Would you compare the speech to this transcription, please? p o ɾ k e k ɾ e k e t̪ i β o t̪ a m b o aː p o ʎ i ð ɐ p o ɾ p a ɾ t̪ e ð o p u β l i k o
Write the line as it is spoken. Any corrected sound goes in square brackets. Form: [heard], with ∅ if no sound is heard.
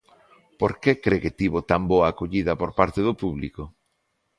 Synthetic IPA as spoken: p o ɾ k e k ɾ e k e t̪ i β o t̪ a m b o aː [k] o ʎ i ð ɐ p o ɾ p a ɾ t̪ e ð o p u β l i k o